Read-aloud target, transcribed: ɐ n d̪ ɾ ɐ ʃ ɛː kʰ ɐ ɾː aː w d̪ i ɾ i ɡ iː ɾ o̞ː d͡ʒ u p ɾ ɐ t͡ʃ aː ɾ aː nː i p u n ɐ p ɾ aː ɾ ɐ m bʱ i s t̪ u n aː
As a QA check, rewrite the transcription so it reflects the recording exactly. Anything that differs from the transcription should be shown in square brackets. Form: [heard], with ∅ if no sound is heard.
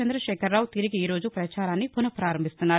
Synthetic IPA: ɐ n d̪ ɾ ɐ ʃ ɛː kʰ ɐ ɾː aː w [t̪] i ɾ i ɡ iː ɾ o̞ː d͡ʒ u p ɾ ɐ t͡ʃ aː ɾ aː nː i p u n ɐ p ɾ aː ɾ ɐ m bʱ i s t̪ u [nː] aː